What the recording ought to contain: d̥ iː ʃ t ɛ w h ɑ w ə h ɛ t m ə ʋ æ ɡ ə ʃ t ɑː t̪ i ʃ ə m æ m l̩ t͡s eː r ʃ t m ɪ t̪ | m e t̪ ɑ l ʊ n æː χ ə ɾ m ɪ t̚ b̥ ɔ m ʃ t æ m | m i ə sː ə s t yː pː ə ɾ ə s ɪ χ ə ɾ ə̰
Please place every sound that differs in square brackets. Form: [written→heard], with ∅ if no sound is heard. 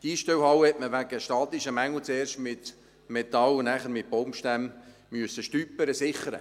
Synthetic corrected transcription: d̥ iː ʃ t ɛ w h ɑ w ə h ɛ t m ə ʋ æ ɡ ə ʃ t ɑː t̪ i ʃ ə m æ [m→ŋ] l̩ t͡s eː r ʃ t m ɪ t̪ | m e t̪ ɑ l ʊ n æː χ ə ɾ m ɪ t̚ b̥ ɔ m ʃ t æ m | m [i→y] ə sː ə [s→ʃ] t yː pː ə ɾ ə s ɪ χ ə ɾ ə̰